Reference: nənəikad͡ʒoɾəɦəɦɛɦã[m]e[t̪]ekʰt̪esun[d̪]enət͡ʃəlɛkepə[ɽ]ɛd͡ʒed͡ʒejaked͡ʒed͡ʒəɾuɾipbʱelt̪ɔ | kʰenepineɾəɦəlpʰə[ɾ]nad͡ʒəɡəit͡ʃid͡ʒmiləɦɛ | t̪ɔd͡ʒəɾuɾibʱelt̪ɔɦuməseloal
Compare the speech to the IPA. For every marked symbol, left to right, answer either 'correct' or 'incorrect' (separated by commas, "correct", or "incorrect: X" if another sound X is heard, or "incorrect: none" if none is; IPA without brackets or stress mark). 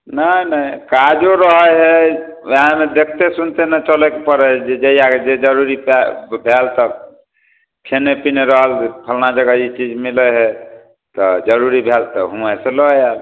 correct, incorrect: d̪, incorrect: t̪, incorrect: ɾ, incorrect: l